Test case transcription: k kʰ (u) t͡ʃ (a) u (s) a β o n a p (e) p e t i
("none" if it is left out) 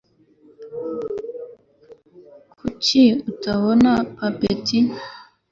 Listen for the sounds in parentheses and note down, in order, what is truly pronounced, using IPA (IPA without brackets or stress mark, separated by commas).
u, i, t, a